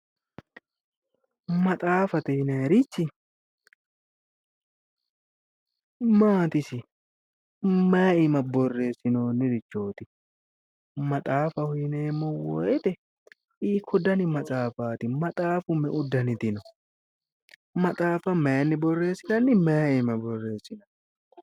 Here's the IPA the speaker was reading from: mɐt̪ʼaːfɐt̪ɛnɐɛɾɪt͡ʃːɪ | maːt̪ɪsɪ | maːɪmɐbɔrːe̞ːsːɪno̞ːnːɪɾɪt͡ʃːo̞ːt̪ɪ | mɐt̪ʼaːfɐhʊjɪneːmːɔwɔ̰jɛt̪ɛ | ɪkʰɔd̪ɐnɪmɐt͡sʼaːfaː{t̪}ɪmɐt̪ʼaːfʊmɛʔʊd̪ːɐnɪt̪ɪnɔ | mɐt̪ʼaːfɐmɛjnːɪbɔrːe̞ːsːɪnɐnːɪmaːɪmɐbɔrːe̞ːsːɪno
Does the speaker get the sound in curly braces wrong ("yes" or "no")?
no